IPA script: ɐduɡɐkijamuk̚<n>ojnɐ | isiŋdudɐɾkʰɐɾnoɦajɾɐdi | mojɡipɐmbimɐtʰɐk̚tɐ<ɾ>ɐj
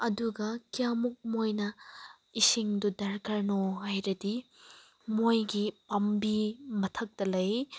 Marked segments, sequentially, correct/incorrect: incorrect: m, incorrect: l

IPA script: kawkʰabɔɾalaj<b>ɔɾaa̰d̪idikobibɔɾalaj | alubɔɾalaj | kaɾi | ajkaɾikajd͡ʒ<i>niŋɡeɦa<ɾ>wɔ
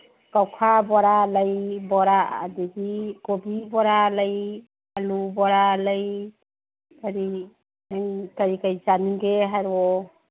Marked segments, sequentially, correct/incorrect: correct, incorrect: a, correct

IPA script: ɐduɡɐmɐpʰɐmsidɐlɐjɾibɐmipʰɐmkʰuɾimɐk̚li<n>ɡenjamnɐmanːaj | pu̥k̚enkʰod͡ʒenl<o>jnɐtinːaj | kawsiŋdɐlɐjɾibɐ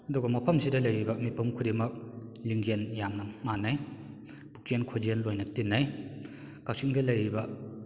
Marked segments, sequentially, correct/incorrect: incorrect: ŋ, correct

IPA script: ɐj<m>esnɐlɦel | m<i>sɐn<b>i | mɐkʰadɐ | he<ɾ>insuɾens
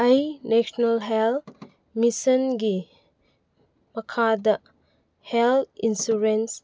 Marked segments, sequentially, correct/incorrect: incorrect: n, correct, incorrect: ɡ, incorrect: l

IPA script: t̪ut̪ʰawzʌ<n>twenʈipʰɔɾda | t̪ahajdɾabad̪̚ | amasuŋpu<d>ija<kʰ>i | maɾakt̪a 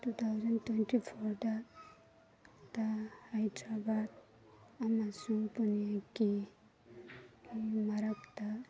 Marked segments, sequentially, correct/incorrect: correct, incorrect: n, incorrect: k

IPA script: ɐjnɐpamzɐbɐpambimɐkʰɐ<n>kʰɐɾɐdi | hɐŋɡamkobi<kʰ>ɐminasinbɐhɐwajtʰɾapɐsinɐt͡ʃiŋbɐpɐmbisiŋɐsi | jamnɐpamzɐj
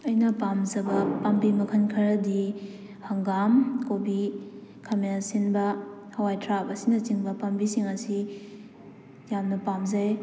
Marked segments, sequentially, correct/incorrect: correct, correct

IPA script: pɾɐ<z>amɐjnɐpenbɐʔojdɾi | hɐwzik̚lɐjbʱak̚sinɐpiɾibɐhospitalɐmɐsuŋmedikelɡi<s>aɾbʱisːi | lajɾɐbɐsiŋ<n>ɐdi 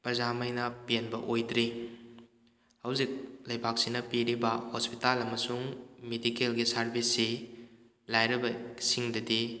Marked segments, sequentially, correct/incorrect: correct, correct, incorrect: d

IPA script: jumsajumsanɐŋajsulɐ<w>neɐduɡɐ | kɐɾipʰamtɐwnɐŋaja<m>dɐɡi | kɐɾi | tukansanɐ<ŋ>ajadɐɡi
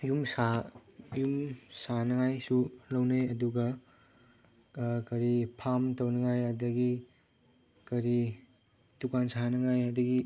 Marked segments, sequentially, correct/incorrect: correct, incorrect: none, correct

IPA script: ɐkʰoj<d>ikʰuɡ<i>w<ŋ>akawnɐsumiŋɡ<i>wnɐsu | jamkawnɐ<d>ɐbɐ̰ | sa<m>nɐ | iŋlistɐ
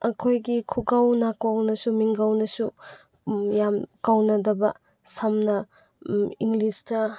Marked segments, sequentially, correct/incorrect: incorrect: ɡ, incorrect: a, incorrect: n, incorrect: a, correct, correct

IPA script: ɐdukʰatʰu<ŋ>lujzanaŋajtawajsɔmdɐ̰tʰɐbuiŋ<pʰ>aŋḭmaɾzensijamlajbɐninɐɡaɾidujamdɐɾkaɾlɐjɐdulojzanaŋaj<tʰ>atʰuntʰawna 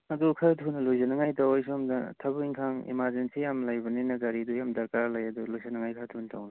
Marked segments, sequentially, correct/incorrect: incorrect: n, incorrect: kʰ, incorrect: kʰ

